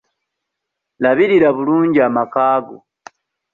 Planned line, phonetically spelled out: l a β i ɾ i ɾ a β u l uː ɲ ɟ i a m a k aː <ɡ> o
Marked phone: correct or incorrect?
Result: correct